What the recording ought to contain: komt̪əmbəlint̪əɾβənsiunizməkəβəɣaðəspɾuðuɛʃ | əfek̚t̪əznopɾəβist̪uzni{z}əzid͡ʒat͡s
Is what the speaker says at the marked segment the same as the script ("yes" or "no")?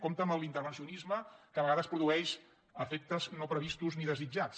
no